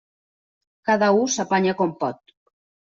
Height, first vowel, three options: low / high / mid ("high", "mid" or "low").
low